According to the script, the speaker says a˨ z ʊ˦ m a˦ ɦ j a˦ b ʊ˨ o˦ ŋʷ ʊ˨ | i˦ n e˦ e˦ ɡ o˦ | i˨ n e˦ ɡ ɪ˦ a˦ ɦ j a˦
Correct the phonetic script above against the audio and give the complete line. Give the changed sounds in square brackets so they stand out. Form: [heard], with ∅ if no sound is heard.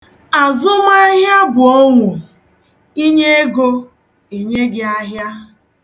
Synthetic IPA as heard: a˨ z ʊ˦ m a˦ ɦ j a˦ b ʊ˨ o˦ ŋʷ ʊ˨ | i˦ [ɲ] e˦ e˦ ɡ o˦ | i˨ [ɲ] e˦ ɡ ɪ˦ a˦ ɦ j a˦